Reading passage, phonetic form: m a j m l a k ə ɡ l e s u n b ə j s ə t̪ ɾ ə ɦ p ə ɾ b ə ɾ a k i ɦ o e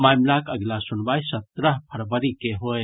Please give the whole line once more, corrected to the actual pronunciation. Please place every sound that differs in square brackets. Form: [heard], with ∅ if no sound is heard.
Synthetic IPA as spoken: m a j m l a k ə ɡ l [a] s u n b [a] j s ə t̪ ɾ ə ɦ [pʰ] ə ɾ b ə ɾ [i] k [e] ɦ o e